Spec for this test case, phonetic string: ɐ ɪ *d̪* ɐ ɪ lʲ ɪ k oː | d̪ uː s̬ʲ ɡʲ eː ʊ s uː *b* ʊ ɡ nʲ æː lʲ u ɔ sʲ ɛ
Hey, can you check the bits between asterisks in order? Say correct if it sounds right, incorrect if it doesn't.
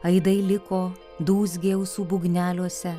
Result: correct, correct

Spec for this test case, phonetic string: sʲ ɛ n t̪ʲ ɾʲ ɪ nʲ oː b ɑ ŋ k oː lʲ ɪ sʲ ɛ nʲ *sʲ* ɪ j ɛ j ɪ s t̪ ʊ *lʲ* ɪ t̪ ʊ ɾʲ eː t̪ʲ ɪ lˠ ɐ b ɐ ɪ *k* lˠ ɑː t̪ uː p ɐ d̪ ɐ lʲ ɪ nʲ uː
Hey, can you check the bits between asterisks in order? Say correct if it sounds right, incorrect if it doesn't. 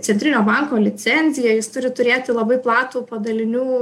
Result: incorrect: zʲ, incorrect: ɾʲ, incorrect: p

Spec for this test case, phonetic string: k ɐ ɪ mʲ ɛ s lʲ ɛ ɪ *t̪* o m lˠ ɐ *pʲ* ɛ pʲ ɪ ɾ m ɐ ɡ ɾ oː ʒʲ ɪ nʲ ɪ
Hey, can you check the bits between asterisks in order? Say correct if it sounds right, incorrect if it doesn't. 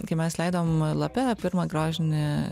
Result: incorrect: d̪, correct

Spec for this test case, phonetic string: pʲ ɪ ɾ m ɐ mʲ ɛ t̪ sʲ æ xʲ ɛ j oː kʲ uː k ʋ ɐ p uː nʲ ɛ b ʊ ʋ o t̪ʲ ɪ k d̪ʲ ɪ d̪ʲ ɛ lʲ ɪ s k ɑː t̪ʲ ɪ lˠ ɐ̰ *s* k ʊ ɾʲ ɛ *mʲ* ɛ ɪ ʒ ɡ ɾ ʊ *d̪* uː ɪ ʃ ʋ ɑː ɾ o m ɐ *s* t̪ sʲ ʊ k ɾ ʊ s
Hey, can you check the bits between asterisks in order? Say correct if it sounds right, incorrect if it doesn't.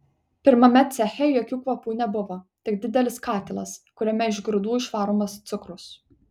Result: correct, correct, correct, correct

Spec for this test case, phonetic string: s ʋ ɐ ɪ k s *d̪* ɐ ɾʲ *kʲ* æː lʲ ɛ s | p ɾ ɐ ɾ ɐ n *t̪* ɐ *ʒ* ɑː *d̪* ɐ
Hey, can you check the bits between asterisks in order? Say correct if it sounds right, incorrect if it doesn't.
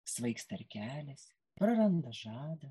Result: incorrect: t̪, correct, incorrect: d̪, correct, correct

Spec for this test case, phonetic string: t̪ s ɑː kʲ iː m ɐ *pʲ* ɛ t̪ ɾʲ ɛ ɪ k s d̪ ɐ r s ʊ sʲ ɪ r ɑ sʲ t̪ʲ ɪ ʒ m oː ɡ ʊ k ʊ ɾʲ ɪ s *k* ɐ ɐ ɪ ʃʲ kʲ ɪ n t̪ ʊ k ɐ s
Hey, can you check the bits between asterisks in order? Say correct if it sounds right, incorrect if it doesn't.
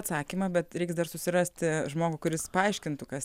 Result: incorrect: bʲ, incorrect: p

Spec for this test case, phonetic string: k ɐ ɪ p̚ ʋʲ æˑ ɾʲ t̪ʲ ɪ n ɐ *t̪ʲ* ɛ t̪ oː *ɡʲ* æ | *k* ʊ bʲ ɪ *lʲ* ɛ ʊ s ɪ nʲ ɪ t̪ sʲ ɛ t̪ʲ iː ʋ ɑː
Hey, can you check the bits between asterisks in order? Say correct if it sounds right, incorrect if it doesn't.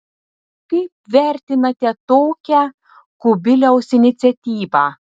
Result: correct, incorrect: kʲ, correct, correct

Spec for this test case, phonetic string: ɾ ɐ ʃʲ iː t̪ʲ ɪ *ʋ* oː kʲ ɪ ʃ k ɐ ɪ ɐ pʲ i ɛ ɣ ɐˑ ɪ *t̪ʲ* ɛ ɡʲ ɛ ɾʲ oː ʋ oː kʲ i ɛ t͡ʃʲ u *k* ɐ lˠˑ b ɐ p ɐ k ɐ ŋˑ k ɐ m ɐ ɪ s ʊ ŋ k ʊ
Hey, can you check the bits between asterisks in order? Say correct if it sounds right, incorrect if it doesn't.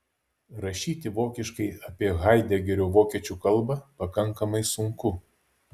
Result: correct, incorrect: d̪ʲ, correct

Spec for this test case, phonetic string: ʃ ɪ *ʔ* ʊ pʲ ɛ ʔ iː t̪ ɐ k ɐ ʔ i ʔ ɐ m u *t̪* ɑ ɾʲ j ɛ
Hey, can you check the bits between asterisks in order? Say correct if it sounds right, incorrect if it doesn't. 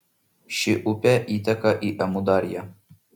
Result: correct, incorrect: d̪

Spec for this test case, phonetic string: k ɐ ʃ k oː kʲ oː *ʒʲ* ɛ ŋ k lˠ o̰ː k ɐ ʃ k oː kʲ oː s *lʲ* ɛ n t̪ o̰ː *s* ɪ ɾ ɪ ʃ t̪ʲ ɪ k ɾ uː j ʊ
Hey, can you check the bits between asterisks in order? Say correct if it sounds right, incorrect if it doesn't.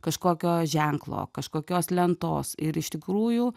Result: correct, correct, correct

